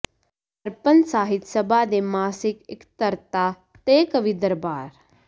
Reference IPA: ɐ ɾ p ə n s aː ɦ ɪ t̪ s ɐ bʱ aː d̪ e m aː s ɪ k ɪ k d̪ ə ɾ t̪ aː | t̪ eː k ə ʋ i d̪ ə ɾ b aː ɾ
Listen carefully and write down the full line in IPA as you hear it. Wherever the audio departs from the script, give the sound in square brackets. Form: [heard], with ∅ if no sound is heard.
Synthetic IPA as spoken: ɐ ɾ p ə n s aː ɦ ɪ t̪ s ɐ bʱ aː d̪ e m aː s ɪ k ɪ k [t̪] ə ɾ t̪ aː | t̪ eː k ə ʋ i d̪ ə ɾ b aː ɾ